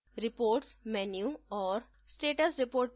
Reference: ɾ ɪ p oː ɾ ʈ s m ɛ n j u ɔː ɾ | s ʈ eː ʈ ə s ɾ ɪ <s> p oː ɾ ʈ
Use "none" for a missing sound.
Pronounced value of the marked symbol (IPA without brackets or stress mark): none